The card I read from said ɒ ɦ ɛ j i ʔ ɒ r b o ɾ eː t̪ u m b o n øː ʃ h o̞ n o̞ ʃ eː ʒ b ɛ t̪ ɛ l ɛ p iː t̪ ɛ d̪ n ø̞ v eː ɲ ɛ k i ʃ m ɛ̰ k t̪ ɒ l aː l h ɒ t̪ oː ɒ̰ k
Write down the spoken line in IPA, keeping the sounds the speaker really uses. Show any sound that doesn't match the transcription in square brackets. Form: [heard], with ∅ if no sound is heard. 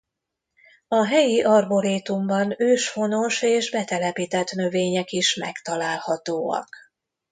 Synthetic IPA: ɒ ɦ ɛ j i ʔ ɒ r b o ɾ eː t̪ u m b [ɒ] n øː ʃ [f] o̞ n o̞ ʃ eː ʒ b ɛ t̪ ɛ l ɛ p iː t̪ ɛ [t̪] n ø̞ v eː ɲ ɛ k i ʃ m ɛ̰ k t̪ ɒ l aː l h ɒ t̪ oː ɒ̰ k